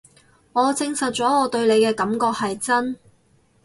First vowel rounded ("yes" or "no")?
yes